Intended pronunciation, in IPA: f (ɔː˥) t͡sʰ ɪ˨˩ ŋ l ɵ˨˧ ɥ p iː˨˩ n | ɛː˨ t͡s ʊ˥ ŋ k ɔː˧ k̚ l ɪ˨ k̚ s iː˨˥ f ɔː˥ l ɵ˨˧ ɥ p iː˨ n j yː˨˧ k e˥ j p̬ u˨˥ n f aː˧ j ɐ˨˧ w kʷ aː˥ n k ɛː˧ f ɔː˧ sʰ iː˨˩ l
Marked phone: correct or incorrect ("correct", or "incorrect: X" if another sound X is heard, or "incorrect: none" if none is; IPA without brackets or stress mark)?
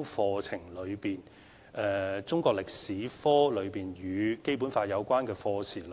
incorrect: ɔː˧